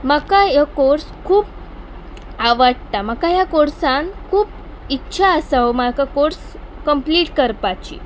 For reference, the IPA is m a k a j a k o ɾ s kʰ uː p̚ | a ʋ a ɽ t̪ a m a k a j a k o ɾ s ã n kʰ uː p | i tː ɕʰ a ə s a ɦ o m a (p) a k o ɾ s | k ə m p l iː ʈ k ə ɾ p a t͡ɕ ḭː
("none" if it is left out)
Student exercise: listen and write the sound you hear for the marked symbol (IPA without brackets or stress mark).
k